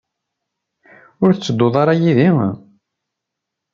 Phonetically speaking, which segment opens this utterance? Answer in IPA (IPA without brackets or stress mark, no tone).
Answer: ʊ